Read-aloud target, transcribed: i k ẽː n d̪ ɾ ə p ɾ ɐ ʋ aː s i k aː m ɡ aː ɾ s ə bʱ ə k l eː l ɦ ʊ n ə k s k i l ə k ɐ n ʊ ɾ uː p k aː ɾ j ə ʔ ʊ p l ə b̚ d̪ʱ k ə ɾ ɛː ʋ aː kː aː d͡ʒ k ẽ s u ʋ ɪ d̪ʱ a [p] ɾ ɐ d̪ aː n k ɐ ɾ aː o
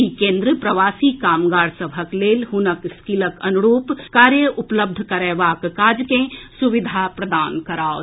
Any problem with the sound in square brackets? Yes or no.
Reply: no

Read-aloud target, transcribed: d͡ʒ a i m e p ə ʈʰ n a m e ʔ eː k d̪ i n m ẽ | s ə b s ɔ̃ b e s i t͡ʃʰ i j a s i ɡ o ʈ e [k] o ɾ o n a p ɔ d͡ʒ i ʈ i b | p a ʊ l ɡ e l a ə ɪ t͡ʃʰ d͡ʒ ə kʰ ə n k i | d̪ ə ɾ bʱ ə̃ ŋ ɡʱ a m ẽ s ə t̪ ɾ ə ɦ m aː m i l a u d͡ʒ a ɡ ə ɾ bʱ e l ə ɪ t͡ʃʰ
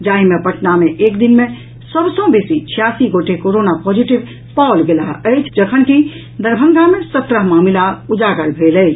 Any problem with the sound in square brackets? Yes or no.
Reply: no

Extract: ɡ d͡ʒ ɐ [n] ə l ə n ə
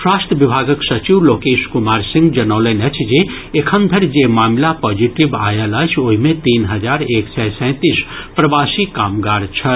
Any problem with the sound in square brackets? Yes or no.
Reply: no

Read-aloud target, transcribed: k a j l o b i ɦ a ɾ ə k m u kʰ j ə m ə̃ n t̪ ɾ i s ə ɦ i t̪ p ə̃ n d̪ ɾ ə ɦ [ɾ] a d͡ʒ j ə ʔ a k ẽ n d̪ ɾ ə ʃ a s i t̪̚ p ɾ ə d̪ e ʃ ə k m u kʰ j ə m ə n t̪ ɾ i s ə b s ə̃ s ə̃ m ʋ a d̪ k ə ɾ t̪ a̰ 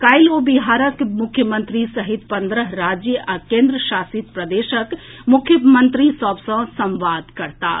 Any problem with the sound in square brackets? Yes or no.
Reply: no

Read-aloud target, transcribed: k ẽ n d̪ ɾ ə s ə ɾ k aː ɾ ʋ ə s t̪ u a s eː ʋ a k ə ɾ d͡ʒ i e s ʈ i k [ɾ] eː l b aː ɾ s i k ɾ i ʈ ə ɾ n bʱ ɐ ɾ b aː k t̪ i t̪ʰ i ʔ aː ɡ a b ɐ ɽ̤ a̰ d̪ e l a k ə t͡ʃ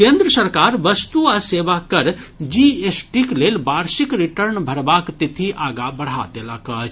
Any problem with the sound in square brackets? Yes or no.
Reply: yes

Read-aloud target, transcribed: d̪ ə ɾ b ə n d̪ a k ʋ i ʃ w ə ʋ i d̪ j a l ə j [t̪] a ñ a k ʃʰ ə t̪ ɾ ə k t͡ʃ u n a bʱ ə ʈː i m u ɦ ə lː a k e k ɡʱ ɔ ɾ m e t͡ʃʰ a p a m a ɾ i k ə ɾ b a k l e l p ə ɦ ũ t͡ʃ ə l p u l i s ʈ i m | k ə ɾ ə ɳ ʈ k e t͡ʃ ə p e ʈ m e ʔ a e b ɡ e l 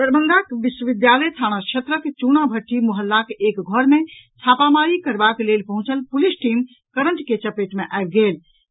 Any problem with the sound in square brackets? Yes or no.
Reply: yes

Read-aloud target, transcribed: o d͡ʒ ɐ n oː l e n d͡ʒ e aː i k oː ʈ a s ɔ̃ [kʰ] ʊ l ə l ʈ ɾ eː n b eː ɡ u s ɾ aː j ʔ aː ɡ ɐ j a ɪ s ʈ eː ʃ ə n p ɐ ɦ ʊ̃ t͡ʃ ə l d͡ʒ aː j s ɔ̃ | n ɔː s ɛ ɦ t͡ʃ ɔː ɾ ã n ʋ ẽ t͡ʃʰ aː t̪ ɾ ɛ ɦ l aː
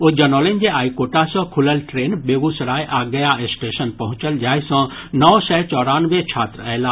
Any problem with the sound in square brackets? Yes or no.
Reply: no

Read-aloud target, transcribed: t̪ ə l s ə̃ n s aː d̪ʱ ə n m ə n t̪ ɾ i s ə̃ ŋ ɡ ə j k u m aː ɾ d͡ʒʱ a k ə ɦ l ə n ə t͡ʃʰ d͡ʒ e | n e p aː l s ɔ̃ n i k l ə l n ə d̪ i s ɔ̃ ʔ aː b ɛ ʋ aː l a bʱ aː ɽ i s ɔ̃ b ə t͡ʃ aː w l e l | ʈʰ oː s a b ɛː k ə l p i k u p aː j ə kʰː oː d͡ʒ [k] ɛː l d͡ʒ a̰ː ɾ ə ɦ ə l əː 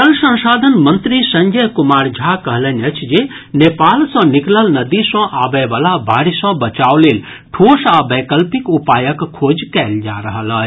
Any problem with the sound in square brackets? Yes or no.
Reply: no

